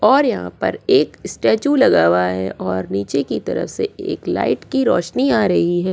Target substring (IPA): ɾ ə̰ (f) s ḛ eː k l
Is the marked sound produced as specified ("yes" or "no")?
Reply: yes